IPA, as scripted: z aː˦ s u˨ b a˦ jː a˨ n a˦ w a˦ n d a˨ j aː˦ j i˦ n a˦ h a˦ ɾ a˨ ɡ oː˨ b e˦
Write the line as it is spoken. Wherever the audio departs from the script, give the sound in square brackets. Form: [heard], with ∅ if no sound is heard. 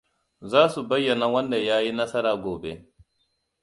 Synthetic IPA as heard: z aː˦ s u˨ b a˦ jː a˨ n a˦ w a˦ n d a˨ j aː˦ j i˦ n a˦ [s] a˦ ɾ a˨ ɡ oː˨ b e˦